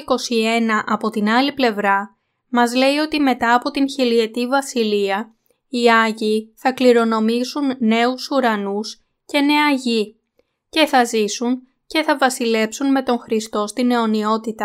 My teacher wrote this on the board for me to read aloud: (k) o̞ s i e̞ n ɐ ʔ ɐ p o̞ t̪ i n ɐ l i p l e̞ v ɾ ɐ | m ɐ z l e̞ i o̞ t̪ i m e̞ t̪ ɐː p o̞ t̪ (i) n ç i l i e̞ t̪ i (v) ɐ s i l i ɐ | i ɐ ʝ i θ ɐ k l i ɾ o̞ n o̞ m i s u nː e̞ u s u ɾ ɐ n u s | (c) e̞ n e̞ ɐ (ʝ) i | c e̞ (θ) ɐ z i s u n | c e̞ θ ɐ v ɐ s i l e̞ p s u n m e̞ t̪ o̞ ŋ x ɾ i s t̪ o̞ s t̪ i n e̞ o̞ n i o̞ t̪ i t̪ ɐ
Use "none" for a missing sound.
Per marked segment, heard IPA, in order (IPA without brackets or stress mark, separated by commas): k, i, v, c, ʝ, θ